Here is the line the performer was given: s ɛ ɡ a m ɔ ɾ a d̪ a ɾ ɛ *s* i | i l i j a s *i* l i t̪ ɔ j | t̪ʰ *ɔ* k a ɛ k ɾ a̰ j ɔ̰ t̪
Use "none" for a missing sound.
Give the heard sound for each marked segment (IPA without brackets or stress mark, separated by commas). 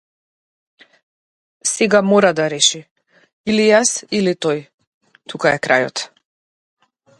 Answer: ʃ, i, u